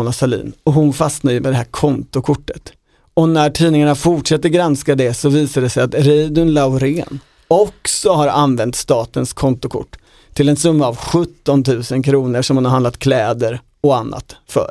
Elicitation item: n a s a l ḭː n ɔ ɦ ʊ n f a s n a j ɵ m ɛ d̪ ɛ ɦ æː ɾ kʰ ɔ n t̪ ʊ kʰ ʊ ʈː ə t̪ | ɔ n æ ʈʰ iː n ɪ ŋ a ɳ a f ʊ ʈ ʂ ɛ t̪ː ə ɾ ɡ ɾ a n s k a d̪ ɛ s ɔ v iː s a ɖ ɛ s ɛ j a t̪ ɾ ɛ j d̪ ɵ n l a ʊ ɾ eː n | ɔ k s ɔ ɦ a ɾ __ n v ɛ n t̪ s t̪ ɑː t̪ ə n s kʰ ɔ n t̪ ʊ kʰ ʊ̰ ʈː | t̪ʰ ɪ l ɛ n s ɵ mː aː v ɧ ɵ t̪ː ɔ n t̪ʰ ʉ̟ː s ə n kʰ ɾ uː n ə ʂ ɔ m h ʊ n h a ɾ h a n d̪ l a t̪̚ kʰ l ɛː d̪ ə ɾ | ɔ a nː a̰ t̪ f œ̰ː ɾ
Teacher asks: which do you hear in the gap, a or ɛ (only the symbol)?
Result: a